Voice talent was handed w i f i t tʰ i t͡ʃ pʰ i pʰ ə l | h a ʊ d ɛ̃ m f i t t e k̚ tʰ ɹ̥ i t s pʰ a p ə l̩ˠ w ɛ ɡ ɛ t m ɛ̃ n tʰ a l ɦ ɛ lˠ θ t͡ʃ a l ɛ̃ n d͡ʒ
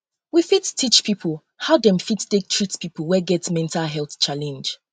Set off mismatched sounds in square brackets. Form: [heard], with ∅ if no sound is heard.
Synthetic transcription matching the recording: w i f i t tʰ i t͡ʃ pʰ i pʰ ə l | h a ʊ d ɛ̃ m f i t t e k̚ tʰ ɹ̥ i t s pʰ [i] p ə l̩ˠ w ɛ ɡ ɛ t m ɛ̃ n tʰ a l ɦ ɛ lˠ θ t͡ʃ a l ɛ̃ n d͡ʒ

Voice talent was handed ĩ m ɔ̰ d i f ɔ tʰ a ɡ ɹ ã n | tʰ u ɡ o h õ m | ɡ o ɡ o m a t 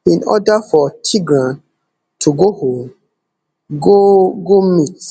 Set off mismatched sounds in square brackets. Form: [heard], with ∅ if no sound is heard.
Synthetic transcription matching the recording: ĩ [n] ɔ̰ d [a] f ɔ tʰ [i] ɡ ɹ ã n | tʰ u ɡ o h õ m | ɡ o ɡ o m [i] t

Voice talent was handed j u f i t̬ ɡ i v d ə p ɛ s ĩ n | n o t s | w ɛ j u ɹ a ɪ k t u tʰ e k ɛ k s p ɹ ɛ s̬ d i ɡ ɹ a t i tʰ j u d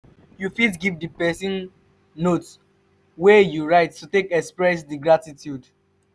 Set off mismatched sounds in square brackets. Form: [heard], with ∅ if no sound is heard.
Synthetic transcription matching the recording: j u f i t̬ ɡ i v d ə p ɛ s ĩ n | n o t s | w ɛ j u ɹ a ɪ [t] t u [t] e k ɛ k s p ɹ ɛ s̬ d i ɡ ɹ a t i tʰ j u d

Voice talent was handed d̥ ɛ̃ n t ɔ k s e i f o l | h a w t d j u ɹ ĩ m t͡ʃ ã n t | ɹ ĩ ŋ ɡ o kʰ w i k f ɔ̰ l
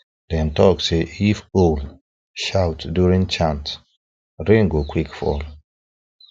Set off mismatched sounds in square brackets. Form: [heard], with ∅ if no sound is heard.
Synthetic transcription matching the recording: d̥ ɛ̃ n t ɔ k s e i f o l | [ʃ] a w t d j u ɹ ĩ [ŋ] t͡ʃ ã n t | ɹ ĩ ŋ ɡ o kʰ w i k f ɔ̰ l

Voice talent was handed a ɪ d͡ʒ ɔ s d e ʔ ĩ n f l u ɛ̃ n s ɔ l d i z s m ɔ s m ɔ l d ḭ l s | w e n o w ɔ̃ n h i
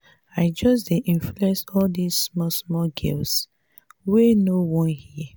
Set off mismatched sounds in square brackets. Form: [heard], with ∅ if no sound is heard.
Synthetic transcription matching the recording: a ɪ d͡ʒ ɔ s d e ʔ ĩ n f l u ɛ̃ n s ɔ l d i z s m ɔ s m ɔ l [ɡ] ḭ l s | w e n o w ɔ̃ n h i

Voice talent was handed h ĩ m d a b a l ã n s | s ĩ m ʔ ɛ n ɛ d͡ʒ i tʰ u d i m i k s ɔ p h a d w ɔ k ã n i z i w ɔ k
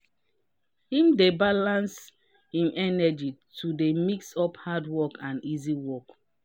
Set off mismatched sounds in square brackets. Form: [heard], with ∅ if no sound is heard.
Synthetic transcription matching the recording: h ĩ m d [e] b a l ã n s | [h] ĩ m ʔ ɛ n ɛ d͡ʒ i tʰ u d [e] m i k s ɔ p h a d w ɔ k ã n i z i w ɔ k

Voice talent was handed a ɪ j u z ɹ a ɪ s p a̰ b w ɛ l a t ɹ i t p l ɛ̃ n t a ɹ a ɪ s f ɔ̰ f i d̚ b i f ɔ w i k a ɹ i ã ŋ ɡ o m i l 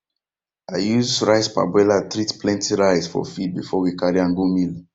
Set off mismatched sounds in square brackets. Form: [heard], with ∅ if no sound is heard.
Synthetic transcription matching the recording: a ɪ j u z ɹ a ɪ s p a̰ b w ɛ l a t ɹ i t p l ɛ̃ n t [i] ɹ a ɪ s f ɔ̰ f i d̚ b i f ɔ w i k a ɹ i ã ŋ ɡ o m i l

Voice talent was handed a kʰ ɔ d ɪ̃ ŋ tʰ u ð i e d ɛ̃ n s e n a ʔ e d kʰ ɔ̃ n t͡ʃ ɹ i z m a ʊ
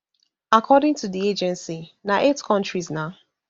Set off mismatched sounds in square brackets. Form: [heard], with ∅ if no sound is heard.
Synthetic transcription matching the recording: a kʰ ɔ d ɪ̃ ŋ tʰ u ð i e [d͡ʒ] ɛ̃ n s [i] n a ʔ e [t] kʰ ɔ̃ n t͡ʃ ɹ i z [n] a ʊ

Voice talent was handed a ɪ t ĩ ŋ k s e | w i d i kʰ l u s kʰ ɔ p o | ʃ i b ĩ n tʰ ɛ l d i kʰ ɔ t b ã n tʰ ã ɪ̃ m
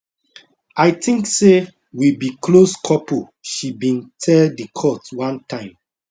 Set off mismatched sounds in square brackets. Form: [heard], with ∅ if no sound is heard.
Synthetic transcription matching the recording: a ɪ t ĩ ŋ k s e | w i [b] i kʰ l [o] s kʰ ɔ p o | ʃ i b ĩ n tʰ ɛ l d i kʰ ɔ t [w] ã n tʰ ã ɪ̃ m

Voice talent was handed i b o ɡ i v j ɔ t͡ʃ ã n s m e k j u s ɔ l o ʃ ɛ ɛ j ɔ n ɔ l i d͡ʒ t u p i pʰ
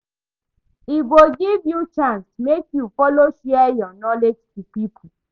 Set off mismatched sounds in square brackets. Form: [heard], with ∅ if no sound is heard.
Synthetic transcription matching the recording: i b o ɡ i v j [u] t͡ʃ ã n s m e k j u [f] ɔ l o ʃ ɛ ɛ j ɔ n ɔ l [e] d͡ʒ t u p i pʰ

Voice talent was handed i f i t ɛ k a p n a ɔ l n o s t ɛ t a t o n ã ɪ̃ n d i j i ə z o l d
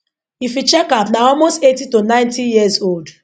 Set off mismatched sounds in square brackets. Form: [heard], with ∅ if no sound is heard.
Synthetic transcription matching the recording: i f i [t͡ʃ] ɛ k a p n a ɔ l [m] o s t [e] t [i] t o n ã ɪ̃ n [t] i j i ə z o l d

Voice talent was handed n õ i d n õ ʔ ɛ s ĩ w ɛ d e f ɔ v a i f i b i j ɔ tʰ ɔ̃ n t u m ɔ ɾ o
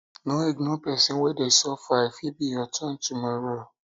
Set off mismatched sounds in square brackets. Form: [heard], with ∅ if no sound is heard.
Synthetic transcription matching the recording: n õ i [ɡ] n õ [p] ɛ s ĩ w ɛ d e [s] ɔ [f] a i f i b i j ɔ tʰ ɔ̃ n t u m ɔ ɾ o

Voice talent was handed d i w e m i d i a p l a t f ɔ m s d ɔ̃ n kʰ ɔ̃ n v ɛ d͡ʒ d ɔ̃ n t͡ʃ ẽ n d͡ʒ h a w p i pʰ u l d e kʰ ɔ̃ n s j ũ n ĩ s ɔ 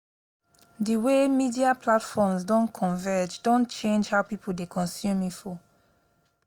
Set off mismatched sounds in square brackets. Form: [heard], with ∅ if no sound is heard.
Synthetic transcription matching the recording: d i w e m i d i a p l a t f ɔ m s d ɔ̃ n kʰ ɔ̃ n v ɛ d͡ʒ d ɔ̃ n t͡ʃ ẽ n d͡ʒ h a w p i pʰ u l d e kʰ ɔ̃ n s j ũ [m] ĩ [f] ɔ

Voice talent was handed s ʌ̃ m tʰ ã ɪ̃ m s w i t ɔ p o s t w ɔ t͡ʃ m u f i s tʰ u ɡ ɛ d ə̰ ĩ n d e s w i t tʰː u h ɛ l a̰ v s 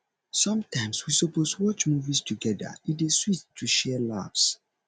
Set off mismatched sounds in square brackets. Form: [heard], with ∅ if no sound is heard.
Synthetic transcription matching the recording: s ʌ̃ m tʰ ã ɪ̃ m s w i [s] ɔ p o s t w ɔ t͡ʃ m u [v] i s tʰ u ɡ ɛ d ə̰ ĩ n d e s w i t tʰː u [ʃ] ɛ l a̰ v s

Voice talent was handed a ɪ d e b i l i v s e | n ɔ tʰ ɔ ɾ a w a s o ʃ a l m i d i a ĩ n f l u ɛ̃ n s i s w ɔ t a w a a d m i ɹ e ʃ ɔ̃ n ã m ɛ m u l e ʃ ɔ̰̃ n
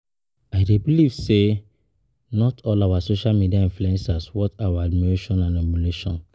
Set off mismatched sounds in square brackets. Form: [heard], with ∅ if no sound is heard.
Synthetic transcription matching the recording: a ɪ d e b i l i v s e | n ɔ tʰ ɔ [l] a w a s o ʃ a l m i d i a ĩ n f l u ɛ̃ n s [a] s w ɔ t a w a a d m i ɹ e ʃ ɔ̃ n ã [n] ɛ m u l e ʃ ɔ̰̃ n

